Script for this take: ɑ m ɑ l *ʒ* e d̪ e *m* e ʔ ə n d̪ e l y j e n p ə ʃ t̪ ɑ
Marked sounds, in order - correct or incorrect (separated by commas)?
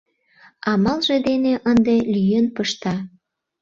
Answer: correct, incorrect